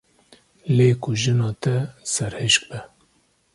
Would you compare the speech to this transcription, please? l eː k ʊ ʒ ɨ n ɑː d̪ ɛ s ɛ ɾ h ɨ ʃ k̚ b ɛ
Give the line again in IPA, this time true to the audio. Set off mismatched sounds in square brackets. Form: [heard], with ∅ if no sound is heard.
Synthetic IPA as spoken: l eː k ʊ ʒ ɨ n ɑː [t̪] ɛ s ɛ ɾ h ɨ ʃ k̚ b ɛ